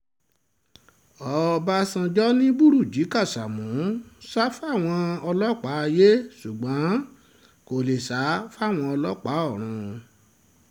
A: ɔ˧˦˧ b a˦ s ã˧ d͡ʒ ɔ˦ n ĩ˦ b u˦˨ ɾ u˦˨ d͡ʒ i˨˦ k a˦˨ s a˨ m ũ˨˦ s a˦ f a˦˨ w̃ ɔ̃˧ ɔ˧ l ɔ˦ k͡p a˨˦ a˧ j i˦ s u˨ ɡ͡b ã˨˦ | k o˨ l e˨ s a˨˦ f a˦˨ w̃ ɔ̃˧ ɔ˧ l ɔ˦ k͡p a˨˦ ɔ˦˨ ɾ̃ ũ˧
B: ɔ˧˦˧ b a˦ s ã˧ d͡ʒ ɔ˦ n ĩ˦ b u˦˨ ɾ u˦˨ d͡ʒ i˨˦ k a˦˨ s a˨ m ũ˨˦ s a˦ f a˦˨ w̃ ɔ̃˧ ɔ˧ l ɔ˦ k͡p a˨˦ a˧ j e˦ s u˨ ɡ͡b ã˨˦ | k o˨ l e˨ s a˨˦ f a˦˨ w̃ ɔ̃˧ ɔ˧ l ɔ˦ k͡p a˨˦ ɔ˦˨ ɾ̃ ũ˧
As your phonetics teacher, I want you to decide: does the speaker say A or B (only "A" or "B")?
B